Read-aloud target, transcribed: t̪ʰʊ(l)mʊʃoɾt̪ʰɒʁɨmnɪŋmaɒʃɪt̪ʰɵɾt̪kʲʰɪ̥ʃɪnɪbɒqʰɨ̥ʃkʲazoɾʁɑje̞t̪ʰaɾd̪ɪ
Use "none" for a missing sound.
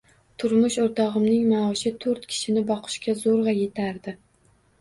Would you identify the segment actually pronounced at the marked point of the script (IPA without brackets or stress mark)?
ɾ